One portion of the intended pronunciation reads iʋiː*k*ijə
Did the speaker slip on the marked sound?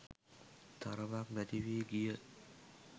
yes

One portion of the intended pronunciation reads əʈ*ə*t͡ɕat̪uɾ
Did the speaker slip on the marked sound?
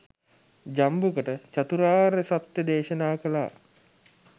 no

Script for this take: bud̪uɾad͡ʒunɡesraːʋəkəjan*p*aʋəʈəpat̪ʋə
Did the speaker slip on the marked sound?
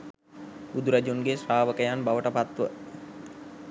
yes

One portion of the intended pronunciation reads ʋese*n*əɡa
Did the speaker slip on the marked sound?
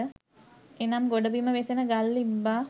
no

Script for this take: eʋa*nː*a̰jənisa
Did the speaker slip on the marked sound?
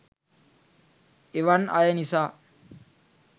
yes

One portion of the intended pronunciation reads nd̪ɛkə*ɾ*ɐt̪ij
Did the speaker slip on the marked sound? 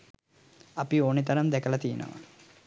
yes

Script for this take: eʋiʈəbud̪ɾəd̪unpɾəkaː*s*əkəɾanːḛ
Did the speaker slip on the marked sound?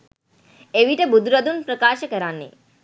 yes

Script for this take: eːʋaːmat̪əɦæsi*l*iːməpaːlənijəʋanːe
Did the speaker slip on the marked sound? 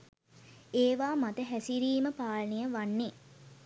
yes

